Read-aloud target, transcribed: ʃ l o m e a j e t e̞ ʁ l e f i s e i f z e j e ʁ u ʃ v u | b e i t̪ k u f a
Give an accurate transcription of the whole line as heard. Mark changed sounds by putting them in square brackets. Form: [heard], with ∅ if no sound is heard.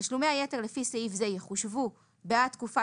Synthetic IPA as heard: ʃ l [u] m e a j e t e̞ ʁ l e f i s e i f z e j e [χ] u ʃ v u | b e [a] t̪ k u f a

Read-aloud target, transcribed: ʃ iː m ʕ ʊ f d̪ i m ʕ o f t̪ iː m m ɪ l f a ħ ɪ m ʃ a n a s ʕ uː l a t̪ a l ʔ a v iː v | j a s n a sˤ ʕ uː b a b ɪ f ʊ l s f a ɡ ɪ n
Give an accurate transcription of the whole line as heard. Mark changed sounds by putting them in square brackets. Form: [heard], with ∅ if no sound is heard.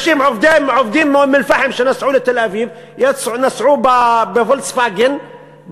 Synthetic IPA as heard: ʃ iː m ʕ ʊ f d̪ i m ʕ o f [d̪] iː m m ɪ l f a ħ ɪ m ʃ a n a s ʕ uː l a t̪ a l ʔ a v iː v | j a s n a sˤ ʕ uː b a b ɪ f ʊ l s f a ɡ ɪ n

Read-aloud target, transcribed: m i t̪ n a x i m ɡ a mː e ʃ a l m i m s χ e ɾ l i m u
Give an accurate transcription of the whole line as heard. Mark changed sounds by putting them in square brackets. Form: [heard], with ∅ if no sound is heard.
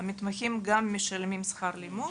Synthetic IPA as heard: m i t̪ [m] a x i m ɡ a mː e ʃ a l m i m s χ [a] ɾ l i m u

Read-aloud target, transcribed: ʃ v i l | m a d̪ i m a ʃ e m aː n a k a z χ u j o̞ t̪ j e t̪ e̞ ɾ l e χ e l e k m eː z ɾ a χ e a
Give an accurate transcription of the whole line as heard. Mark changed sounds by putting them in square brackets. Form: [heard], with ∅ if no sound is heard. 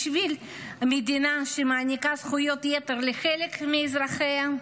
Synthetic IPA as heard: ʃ v i l | m [e] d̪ i [n] a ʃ e m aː n [i] k a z χ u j o̞ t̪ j e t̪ e̞ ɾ l e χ e l e k m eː z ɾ a χ e a

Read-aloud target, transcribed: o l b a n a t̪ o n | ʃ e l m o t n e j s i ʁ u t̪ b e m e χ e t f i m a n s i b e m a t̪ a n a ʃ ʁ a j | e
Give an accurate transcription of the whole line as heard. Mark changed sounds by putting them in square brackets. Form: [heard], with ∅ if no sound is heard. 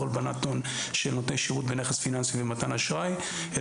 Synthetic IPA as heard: o l b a n a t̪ o n | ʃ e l [n] o t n e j [ʃ] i ʁ u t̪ b e [n] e χ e [s] f i [n] a n s i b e m a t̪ a n a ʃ ʁ a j | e

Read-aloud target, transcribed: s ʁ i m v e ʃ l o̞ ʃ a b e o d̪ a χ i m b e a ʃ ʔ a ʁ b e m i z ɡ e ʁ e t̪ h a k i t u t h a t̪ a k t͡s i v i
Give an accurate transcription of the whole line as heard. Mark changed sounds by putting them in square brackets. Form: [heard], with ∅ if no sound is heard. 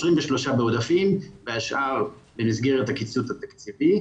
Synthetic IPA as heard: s ʁ i m v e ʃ l o̞ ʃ a b e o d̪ a [f] i m b e a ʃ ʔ a ʁ b e m i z ɡ e ʁ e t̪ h a k i [t͡s] u t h a t̪ a k t͡s i v i

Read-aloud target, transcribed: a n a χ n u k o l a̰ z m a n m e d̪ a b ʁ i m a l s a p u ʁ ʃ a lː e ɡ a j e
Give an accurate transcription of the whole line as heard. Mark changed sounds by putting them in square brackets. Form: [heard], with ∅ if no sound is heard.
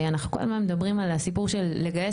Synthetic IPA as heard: a n a χ n u k o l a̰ z m a n m e d̪ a b ʁ i m a l s [i] p u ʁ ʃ [e] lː e ɡ a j e

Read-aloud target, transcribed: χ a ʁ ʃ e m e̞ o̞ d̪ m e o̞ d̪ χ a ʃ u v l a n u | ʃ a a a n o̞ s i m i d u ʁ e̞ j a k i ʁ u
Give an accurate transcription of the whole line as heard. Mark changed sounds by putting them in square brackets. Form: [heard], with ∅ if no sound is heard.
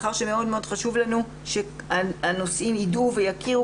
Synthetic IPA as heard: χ a ʁ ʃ e m e̞ o̞ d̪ m e o̞ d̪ χ a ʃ u v l a n u | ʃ [e] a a n o̞ s i m i d u [v] e̞ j a k i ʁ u

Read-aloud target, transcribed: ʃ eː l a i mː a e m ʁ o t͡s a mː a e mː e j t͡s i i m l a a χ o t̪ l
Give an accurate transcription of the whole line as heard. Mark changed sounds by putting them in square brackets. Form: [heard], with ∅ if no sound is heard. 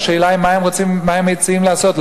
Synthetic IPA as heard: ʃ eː l a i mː a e m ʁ o t͡s [i] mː a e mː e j t͡s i i m l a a [s] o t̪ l

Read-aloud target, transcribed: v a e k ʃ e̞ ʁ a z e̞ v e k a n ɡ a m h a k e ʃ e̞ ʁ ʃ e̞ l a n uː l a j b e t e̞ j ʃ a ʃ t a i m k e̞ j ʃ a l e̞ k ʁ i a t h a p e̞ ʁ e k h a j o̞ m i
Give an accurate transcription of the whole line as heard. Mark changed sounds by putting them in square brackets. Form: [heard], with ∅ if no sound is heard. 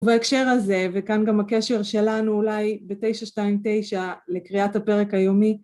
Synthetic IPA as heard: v a e k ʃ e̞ ʁ a z e̞ v e k a n ɡ a m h a k e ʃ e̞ ʁ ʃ e̞ l a n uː l a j b e t e̞ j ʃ a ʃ t a i m [t] e̞ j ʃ a l e̞ k ʁ i a t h a p e̞ ʁ e k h a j o̞ m i

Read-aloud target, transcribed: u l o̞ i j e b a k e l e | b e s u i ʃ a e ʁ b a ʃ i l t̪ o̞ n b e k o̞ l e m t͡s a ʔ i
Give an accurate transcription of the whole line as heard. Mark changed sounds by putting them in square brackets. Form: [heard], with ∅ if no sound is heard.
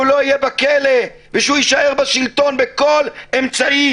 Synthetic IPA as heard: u l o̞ i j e b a k e l e | [v] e [ʃ] u i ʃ a e ʁ b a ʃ i l t̪ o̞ n b e k o̞ l e m t͡s a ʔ i

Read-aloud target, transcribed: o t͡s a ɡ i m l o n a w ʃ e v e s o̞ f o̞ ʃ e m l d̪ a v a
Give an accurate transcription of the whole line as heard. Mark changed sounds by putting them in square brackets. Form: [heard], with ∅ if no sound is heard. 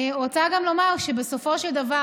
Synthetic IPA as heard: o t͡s a ɡ [a] m l o [m] a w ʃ e [b] e s o̞ f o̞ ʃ e [∅] l d̪ a v a

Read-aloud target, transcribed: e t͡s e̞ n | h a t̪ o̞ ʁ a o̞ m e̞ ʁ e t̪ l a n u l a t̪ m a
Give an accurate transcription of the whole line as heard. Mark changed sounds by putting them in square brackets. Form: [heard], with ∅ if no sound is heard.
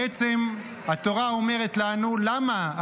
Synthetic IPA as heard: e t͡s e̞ [m] | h a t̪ o̞ ʁ a o̞ m e̞ ʁ e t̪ l a n u l a [∅] m a

